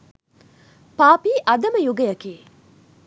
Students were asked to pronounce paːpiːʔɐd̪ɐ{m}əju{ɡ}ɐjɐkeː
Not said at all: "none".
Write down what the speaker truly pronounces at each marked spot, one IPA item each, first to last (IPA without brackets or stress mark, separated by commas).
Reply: m, ɡ